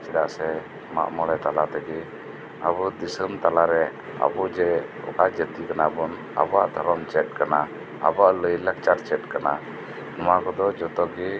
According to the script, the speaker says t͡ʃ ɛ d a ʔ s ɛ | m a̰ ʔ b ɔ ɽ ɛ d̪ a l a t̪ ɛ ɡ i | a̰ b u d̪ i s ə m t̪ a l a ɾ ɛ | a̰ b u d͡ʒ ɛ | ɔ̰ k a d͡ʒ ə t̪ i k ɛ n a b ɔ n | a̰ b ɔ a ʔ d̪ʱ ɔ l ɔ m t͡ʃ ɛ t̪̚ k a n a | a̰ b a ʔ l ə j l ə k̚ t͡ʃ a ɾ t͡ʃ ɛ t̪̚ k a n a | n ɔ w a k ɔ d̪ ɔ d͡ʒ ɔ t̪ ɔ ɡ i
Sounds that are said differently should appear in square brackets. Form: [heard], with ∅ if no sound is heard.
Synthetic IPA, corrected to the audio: t͡ʃ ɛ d a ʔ s ɛ | m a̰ ʔ [m] ɔ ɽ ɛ [t̪] a l a t̪ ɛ ɡ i | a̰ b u d̪ i s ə m t̪ a l a ɾ ɛ | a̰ b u d͡ʒ ɛ | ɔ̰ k a d͡ʒ ə t̪ i k [a] n a b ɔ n | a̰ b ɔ a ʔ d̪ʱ ɔ [ɾ] ɔ m t͡ʃ ɛ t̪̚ k a n a | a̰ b a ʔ l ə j l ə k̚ t͡ʃ a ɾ t͡ʃ ɛ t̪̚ k a n a | n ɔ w a k ɔ d̪ ɔ d͡ʒ ɔ t̪ ɔ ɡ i